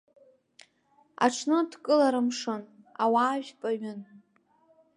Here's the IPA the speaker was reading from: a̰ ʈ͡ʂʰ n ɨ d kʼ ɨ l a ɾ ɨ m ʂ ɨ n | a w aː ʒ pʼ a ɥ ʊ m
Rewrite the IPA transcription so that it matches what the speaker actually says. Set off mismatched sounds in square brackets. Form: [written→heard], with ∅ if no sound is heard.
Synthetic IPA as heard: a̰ ʈ͡ʂʰ n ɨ d kʼ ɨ l a ɾ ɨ m ʂ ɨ n | a w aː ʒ pʼ a ɥ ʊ [m→n]